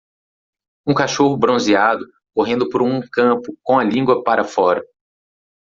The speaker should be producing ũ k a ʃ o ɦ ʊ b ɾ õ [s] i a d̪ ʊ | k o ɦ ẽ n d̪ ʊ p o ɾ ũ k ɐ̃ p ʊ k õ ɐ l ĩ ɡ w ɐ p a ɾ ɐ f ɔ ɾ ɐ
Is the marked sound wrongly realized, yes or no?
yes